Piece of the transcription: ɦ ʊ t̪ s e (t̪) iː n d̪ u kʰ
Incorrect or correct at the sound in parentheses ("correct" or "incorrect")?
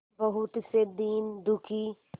incorrect